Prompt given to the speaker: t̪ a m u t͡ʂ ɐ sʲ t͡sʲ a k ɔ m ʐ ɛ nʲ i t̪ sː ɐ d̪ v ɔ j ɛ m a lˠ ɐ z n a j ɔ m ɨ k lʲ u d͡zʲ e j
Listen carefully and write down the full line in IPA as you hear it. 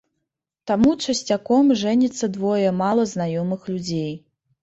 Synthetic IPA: t̪ a m u t͡ʂ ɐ sʲ t͡sʲ a k ɔ m ʐ ɛ nʲ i t̪ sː ɐ d̪ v ɔ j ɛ m a lˠ ɐ z n a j ɔ m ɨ x lʲ u d͡zʲ e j